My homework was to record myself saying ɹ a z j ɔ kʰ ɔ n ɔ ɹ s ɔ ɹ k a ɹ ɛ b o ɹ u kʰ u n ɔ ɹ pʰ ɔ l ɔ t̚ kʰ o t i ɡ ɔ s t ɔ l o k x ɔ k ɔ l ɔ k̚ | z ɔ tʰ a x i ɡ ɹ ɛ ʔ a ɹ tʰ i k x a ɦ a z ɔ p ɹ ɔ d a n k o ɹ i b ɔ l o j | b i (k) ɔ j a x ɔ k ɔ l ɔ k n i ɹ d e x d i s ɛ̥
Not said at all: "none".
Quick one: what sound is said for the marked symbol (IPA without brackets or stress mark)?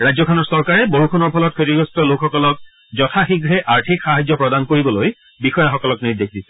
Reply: x